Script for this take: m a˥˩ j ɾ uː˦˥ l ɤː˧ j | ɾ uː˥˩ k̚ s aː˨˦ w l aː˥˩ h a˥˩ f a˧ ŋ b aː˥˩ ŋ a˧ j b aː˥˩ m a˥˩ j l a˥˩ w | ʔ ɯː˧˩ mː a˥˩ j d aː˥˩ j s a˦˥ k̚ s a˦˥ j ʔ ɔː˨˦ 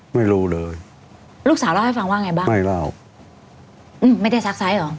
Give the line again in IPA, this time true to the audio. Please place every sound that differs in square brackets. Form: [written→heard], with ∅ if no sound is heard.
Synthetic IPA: m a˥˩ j ɾ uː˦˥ l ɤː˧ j | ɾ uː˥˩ k̚ s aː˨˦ w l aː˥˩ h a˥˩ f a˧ ŋ [b→w] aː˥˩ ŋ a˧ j b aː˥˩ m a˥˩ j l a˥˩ w | ʔ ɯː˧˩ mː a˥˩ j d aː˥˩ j s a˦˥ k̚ s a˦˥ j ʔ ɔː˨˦